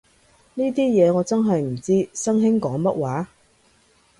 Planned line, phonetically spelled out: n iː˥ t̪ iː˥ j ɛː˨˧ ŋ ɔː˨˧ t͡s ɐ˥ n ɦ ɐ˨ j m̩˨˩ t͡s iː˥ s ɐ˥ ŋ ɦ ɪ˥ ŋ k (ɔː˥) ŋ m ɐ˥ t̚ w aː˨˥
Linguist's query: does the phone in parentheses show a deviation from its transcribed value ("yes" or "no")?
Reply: yes